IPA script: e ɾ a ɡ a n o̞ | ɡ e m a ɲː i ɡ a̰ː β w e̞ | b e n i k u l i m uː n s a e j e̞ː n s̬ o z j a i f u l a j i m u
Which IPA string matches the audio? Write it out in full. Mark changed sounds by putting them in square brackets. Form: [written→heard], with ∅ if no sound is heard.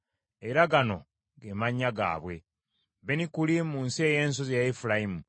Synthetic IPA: e ɾ a ɡ a n o̞ | ɡ e m a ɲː [i→a] ɡ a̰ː β w e̞ | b e n i k u l i m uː n s [a→i] e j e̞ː n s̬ o z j a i f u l a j i m u